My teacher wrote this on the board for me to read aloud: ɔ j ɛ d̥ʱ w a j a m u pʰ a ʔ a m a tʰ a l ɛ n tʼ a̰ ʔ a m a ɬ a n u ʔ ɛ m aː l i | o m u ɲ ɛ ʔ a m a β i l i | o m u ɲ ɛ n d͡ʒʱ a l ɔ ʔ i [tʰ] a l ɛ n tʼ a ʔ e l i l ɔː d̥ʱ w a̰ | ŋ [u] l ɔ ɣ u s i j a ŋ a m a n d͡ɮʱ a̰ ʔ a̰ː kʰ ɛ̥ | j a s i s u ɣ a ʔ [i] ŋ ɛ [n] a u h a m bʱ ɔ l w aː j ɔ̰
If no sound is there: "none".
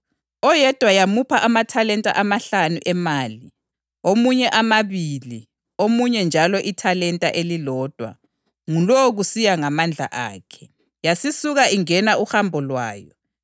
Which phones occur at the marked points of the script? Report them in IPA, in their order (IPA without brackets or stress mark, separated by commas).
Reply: tʰ, u, i, n